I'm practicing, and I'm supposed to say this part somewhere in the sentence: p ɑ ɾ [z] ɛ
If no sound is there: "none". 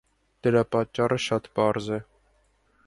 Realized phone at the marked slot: z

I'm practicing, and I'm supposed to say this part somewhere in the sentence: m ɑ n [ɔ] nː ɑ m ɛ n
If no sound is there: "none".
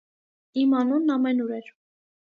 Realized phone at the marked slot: u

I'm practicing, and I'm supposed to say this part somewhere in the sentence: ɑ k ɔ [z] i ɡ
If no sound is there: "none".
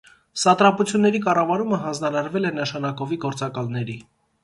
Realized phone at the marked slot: v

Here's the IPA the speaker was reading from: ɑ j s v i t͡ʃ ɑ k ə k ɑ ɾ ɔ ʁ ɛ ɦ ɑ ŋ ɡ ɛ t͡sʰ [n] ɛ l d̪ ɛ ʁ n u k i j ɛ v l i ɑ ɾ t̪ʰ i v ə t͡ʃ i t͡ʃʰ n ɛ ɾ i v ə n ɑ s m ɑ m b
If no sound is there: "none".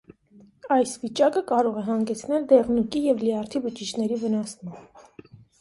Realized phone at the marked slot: n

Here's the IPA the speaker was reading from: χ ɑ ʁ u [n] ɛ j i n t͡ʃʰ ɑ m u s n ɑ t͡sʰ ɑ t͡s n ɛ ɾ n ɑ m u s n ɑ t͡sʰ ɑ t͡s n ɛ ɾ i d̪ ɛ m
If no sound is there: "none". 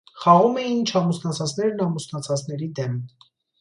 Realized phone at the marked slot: m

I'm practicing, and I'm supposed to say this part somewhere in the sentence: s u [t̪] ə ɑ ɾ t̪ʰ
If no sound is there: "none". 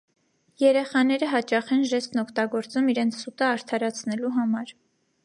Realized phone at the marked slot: t̪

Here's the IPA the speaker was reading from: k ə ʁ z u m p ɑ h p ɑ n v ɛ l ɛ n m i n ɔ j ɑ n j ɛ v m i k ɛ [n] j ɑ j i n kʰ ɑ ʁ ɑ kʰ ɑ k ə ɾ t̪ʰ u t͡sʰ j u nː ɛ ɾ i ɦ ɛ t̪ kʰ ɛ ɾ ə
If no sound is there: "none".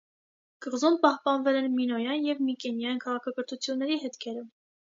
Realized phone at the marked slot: n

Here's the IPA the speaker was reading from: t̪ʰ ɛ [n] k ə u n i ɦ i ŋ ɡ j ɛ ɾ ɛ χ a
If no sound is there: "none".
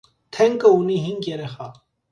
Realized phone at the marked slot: ŋ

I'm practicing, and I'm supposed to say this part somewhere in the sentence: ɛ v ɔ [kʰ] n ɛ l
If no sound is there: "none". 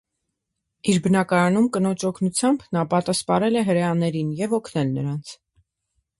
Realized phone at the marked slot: kʰ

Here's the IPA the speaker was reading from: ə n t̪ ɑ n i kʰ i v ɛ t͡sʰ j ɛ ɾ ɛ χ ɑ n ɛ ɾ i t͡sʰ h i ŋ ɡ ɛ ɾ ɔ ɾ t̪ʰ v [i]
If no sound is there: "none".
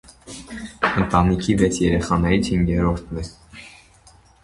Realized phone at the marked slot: ɛ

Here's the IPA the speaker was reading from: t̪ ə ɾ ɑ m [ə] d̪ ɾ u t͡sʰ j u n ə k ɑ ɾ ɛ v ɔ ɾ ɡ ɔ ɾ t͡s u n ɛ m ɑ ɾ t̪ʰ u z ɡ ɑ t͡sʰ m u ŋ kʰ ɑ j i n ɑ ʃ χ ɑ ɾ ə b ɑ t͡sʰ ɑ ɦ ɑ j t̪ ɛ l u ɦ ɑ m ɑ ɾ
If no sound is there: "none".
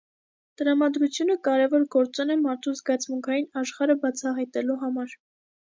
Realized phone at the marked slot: ɑ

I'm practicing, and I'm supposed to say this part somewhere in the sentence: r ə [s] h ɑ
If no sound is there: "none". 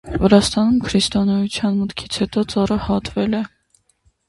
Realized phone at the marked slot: none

